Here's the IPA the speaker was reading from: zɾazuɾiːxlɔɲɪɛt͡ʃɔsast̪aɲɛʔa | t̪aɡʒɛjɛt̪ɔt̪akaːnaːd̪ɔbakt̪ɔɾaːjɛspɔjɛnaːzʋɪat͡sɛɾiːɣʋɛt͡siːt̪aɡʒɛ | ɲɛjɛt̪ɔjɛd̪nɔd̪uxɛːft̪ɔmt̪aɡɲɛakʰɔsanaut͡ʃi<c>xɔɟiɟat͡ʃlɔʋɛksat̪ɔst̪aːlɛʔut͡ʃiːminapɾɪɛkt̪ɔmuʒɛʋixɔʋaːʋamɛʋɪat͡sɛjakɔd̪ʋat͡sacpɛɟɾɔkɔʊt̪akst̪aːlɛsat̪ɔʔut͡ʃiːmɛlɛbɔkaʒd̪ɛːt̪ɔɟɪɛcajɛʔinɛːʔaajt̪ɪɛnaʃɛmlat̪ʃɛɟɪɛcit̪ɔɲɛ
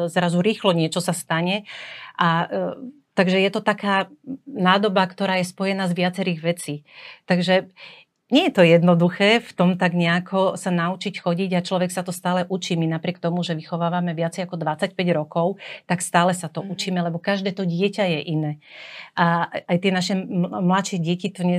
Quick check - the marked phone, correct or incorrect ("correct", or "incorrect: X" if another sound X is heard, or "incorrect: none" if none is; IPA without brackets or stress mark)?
correct